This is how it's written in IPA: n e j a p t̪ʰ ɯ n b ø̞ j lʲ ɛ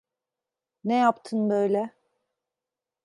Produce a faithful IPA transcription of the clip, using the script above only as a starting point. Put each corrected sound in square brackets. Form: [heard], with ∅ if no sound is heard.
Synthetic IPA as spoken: n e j a p t̪ʰ ɯ n b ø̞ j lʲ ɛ